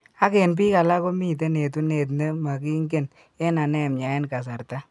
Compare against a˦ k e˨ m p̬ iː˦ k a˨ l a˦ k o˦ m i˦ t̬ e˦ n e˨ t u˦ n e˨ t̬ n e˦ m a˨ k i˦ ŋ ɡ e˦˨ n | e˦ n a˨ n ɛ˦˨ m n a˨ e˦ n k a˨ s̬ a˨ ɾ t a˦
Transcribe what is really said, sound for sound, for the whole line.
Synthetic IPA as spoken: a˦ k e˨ n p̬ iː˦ k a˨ l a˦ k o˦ m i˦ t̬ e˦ n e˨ t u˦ n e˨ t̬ n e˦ m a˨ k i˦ ŋ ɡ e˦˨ n | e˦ n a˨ n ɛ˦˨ m ɲ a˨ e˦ n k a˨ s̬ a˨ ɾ t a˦

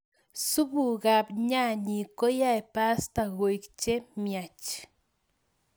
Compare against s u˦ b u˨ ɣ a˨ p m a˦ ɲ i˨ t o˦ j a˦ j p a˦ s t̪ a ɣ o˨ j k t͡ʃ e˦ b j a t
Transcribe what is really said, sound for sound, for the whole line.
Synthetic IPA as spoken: s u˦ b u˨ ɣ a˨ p ɲ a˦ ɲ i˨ k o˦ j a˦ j p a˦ s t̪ a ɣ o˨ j k t͡ʃ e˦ m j a t͡ʃ

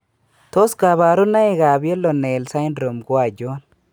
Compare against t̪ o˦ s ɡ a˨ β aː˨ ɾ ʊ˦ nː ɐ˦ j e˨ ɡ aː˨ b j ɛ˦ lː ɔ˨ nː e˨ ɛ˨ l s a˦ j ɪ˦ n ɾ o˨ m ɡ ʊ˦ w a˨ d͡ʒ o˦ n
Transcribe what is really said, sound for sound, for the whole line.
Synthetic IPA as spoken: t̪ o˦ s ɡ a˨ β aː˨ ɾ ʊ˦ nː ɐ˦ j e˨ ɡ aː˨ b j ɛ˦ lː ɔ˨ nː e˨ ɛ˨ l s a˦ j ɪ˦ n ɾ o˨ m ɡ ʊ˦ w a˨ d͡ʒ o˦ n

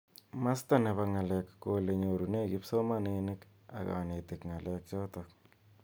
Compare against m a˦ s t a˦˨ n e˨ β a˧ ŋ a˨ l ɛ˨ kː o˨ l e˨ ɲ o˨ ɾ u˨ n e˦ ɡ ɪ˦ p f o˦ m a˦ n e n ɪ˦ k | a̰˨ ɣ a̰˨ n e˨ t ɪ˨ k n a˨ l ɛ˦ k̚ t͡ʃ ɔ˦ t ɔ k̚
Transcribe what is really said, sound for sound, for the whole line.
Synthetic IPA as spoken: m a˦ s t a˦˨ n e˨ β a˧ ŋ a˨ l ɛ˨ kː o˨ l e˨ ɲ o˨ ɾ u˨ n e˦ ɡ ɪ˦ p s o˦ m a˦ n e n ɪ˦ k | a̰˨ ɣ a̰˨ n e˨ t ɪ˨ k ŋ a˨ l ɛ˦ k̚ t͡ʃ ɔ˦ t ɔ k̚

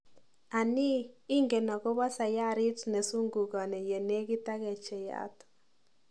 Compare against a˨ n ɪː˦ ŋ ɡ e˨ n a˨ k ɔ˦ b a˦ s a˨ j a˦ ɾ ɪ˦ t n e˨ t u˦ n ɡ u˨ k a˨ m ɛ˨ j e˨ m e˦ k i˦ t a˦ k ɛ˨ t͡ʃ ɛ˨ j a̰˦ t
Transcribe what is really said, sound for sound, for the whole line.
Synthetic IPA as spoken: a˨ n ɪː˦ ŋ ɡ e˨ n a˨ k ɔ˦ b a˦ s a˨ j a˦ ɾ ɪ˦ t n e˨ s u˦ ŋ ɡ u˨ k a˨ n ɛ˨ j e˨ n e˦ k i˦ t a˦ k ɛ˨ t͡ʃ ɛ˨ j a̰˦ t

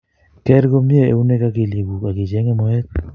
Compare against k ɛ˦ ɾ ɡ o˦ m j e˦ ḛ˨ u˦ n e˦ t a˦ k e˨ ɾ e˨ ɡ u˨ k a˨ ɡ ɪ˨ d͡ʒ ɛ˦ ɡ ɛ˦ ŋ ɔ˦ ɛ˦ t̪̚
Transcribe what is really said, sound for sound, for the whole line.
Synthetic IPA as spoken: k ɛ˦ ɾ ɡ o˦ m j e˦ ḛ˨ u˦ n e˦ k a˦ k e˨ l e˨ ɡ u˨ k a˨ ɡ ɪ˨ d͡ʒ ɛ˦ ŋ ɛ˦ m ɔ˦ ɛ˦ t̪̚

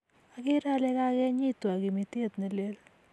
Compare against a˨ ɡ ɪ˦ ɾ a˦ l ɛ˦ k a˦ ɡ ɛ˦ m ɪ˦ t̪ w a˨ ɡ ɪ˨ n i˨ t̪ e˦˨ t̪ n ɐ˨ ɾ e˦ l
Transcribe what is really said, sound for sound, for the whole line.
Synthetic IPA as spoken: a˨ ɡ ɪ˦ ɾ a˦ l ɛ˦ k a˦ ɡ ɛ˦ ɲ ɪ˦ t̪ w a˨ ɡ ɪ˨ m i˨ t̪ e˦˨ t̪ n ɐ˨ l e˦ l

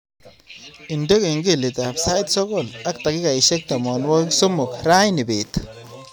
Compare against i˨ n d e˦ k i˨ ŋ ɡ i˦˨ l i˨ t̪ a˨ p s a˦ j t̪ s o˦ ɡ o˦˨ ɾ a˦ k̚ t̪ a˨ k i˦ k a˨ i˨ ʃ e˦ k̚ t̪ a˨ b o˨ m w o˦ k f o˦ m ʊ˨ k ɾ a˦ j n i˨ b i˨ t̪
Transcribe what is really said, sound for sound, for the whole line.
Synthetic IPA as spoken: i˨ n d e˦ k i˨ ŋ ɡ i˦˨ l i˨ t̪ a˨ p s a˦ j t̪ s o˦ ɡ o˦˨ l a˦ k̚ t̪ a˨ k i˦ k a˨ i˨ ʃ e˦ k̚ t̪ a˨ m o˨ n w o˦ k s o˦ m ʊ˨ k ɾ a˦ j n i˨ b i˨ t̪

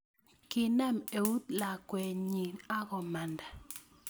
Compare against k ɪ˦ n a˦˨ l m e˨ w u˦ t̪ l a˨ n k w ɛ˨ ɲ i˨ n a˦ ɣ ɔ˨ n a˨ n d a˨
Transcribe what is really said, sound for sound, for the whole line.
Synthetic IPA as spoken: k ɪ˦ n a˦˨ m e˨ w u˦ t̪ l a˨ k w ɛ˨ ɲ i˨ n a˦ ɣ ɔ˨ m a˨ n d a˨

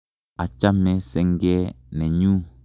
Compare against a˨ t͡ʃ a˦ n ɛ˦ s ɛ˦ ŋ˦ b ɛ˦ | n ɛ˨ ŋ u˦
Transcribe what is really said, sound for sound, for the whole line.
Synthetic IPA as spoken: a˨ t͡ʃ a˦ m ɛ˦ s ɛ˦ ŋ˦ ɡ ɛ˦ | n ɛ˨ ɲ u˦

